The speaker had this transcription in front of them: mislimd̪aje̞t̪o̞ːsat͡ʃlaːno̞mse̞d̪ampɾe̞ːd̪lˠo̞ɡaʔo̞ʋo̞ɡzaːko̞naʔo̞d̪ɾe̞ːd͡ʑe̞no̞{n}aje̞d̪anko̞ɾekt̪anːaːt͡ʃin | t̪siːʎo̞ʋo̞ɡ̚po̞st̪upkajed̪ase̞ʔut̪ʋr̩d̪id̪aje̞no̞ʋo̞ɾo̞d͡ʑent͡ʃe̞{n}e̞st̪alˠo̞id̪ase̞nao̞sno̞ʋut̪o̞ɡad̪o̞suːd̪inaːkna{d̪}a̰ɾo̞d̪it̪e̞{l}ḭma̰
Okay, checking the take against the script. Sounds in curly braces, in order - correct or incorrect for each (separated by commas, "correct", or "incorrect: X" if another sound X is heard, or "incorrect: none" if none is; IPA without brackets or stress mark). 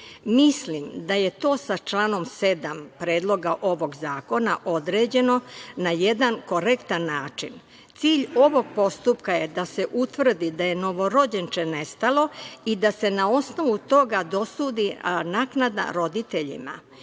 correct, correct, correct, incorrect: ʎ